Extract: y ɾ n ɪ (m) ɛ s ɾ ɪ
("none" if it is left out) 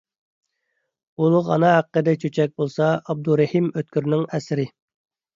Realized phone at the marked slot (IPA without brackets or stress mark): ŋ